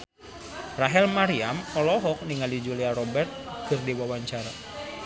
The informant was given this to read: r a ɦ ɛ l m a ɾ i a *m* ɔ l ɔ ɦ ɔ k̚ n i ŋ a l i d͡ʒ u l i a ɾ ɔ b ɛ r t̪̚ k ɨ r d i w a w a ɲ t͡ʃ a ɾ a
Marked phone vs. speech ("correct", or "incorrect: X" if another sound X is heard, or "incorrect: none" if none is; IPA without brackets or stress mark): correct